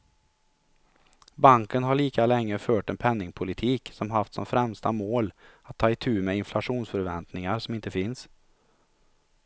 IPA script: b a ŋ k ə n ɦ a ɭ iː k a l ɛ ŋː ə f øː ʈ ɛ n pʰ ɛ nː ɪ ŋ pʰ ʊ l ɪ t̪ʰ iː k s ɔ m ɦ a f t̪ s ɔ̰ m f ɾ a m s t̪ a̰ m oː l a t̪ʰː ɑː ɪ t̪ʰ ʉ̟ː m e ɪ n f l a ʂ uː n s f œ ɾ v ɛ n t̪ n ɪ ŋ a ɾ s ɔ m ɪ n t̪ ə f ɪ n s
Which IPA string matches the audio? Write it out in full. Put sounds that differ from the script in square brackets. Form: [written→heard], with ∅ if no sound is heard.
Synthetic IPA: b a ŋ k ə n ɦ a ɭ iː k a l ɛ ŋː ə f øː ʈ ɛ n pʰ ɛ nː ɪ ŋ pʰ ʊ l ɪ t̪ʰ iː k s ɔ m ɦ a f t̪ s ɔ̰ m f ɾ [a→ɛ] m s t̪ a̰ m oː l a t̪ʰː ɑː ɪ t̪ʰ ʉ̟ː m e ɪ n f l a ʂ uː n s f œ ɾ v ɛ n t̪ n ɪ ŋ a ɾ s ɔ m ɪ n t̪ ə f ɪ n s